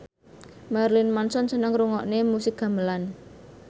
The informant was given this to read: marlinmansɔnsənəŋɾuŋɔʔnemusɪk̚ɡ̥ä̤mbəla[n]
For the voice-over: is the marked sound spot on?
yes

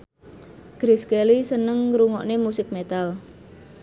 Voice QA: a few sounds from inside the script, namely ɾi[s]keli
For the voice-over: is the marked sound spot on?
yes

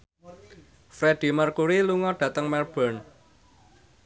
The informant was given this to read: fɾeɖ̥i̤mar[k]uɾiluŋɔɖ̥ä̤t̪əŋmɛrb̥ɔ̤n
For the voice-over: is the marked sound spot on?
yes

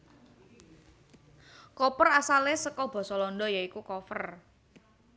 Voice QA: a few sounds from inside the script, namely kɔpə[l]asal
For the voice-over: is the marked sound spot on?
no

